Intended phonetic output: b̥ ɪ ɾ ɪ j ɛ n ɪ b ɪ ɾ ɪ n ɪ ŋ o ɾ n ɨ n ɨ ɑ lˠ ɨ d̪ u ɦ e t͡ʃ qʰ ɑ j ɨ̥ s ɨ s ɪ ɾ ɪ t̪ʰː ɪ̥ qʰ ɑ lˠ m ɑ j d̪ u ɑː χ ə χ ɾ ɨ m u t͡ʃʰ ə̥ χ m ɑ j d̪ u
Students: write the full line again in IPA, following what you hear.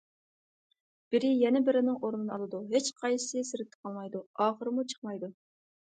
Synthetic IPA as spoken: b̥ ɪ ɾ ɪ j ɛ n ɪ b ɪ ɾ ɪ n ɪ ŋ o ɾ n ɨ n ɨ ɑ lˠ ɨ d̪ u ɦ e t͡ʃ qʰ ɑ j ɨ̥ s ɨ s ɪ ɾ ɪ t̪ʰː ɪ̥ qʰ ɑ lˠ m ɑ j d̪ u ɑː χ ə ɾ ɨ m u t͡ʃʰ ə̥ χ m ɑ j d̪ u